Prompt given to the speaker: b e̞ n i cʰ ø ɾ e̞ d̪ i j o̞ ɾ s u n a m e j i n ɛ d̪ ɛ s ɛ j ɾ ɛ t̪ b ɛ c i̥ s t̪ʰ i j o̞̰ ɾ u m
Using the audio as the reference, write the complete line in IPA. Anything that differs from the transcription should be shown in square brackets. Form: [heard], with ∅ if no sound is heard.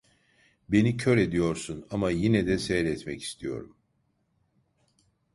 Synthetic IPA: b e̞ n i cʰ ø ɾ e̞ d̪ i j o̞ ɾ s u n a m [a] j i n ɛ d̪ ɛ s ɛ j ɾ ɛ t̪ [m] ɛ c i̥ s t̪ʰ i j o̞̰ ɾ u m

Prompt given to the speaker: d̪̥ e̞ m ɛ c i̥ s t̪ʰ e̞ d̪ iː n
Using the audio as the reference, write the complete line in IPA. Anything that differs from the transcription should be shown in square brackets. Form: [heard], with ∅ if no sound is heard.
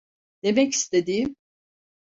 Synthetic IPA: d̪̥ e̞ m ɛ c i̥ s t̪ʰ e̞ d̪ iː [m]

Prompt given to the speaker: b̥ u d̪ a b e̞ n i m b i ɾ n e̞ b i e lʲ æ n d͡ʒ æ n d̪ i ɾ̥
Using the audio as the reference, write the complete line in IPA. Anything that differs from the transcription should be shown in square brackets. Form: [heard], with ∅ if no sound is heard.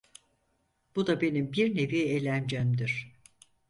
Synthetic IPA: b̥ u d̪ a b e̞ n i m b i ɾ n e̞ [v] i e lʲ æ n d͡ʒ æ [m] d̪ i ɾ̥

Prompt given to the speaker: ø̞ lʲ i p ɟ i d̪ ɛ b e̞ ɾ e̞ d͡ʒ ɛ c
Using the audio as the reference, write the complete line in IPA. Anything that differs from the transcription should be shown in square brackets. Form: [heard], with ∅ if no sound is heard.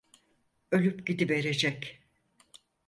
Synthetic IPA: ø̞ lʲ [y] p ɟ i d̪ [i] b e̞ ɾ e̞ d͡ʒ ɛ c

